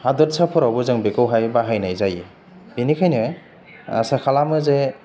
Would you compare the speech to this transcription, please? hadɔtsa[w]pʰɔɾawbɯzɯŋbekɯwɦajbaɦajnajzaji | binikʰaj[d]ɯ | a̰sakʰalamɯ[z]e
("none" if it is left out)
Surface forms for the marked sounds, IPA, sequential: none, n, z

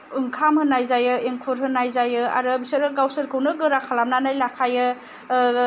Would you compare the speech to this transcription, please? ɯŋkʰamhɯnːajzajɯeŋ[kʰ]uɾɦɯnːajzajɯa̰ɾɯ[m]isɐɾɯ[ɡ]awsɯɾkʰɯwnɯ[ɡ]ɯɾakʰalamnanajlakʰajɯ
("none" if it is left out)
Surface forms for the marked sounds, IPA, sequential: kʰ, b, ɡ, ɡ

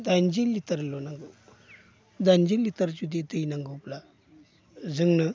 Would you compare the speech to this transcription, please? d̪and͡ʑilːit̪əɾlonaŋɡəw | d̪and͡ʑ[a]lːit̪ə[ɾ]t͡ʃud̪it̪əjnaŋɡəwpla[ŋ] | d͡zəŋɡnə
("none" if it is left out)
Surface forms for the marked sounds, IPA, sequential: i, ɾ, none

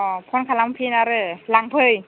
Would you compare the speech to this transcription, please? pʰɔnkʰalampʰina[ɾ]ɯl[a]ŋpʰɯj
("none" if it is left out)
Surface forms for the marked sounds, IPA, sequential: ɾ, a

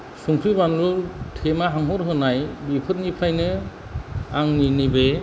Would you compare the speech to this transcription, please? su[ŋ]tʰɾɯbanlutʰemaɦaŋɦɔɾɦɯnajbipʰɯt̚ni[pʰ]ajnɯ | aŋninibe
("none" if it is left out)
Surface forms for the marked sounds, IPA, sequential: ŋ, pʰ

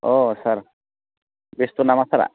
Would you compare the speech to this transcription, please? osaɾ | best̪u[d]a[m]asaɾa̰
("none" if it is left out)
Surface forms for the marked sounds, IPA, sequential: n, m

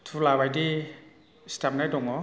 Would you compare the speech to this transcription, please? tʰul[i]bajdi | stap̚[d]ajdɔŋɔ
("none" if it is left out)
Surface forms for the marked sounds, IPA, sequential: a, n

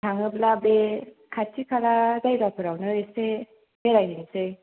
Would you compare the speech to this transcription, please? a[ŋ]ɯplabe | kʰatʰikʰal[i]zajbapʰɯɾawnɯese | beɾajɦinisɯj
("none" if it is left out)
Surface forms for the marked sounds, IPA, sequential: ŋ, a

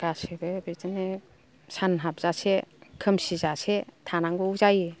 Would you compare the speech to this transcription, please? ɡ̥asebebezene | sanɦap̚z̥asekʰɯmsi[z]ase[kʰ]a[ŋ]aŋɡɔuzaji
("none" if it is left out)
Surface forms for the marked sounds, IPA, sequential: z, tʰ, n

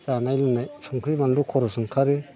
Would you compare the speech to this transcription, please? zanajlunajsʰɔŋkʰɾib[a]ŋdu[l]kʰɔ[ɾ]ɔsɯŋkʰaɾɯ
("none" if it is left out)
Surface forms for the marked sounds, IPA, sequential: a, none, ɾ

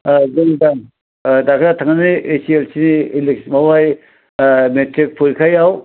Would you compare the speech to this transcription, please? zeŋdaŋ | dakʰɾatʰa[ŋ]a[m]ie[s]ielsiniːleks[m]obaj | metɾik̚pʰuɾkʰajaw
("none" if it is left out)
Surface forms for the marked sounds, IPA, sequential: ŋ, n, s, m

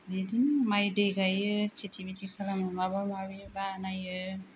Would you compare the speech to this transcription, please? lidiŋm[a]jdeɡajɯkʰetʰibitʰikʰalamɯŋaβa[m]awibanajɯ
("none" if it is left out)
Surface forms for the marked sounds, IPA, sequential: a, m

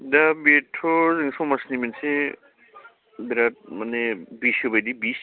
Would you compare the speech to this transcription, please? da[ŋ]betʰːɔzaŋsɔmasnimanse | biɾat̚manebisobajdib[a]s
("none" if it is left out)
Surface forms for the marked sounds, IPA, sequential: none, i

